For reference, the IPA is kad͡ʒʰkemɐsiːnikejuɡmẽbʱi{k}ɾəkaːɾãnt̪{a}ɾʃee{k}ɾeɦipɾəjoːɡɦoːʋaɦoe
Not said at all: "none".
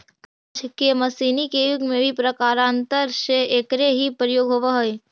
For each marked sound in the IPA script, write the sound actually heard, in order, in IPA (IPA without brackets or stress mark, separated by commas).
p, ə, k